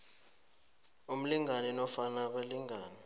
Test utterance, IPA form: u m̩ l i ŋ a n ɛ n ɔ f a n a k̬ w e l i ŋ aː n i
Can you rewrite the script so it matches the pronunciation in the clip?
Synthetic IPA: u m̩ l i ŋ a n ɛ n ɔ f a n a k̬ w e l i ŋ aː n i